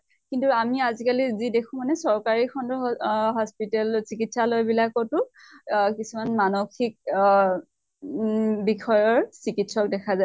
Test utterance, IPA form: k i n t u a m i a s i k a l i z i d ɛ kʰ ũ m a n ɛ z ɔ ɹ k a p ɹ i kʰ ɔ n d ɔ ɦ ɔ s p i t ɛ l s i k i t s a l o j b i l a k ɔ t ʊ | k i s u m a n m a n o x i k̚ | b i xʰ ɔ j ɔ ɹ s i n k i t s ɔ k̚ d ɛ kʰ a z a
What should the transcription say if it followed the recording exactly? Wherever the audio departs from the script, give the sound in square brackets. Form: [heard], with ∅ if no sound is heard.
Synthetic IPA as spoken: k i n t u a m i a [z] i k a l i z i d [e] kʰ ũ m a n ɛ [s] ɔ ɹ k a [∅] ɹ i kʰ ɔ n d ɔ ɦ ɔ s p i t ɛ l s i k i t s a l o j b i l a k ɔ t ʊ | k i s u m a n m a n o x i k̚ | b i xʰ ɔ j ɔ ɹ s i [∅] k i t s ɔ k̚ d ɛ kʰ a z a

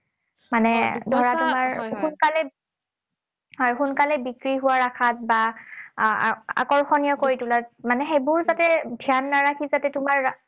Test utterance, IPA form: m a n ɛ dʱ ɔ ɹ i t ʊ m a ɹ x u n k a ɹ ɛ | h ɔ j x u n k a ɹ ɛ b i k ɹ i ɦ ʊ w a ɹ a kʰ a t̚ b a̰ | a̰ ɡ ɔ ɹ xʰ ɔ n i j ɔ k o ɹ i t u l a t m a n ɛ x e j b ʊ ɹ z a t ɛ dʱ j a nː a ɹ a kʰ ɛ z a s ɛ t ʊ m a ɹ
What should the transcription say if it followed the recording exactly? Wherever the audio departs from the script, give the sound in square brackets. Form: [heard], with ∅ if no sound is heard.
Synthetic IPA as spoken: m a n ɛ dʱ ɔ ɹ [a] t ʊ m a ɹ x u n k a [l] ɛ | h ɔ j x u n k a [l] ɛ b i k ɹ i ɦ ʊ w a ɹ a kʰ a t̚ b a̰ | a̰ [k] ɔ ɹ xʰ ɔ n i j ɔ k o ɹ i t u l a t m a n ɛ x e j b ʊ ɹ z a t ɛ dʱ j a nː a ɹ a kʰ [i] z a [t] ɛ t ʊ m a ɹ

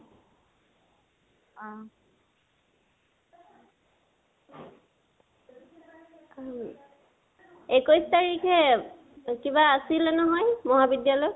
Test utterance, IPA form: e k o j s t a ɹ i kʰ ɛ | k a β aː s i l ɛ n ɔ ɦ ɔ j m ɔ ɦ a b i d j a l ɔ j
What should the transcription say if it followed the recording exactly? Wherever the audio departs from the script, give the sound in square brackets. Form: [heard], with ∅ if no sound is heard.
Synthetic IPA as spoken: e k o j s t a ɹ i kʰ ɛ | k [i] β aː s i l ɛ n ɔ ɦ ɔ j m ɔ ɦ a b i d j a l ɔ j

